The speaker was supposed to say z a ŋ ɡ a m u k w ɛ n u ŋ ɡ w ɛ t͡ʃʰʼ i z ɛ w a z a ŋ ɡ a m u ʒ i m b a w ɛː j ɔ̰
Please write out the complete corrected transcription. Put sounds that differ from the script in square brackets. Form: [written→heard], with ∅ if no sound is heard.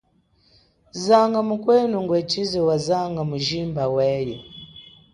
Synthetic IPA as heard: z a ŋ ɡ a m u k w ɛ n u ŋ ɡ w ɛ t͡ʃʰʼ i z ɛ w a z a ŋ ɡ a m u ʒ i m b a w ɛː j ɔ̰